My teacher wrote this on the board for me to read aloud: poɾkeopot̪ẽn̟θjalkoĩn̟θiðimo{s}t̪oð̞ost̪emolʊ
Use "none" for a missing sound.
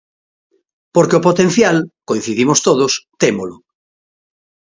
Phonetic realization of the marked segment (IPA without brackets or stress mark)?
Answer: s